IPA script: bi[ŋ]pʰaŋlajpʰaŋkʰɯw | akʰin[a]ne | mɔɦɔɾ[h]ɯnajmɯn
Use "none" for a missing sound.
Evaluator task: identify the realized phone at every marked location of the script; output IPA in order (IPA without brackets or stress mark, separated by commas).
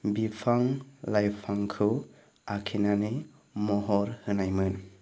none, a, h